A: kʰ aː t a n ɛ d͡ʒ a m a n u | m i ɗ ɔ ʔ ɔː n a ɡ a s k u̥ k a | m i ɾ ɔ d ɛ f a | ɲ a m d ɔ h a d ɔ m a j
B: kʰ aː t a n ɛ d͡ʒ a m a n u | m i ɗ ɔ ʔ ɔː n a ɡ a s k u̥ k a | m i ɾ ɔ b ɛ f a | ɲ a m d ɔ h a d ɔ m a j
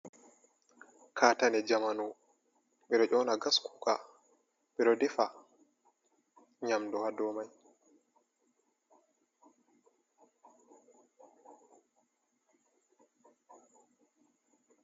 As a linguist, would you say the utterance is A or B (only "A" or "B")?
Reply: A